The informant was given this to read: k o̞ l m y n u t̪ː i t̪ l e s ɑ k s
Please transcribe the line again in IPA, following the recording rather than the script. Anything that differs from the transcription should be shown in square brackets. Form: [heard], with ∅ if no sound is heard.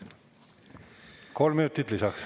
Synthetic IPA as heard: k o̞ l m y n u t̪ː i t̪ l [i] s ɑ k s